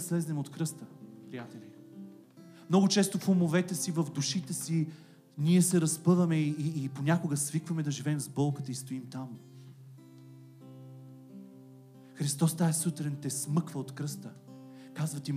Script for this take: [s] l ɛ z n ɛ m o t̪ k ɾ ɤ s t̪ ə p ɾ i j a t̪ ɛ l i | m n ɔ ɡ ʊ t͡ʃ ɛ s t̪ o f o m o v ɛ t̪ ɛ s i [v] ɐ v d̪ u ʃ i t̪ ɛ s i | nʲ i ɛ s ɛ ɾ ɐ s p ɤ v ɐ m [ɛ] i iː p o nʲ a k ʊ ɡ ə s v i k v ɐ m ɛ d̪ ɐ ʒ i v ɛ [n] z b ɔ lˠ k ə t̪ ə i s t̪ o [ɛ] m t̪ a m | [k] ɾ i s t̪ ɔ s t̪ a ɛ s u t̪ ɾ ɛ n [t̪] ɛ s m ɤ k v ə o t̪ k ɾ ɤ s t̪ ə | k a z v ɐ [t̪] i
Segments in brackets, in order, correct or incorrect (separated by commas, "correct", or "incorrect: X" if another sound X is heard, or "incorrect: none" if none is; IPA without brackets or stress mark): correct, correct, correct, incorrect: m, incorrect: i, incorrect: x, correct, correct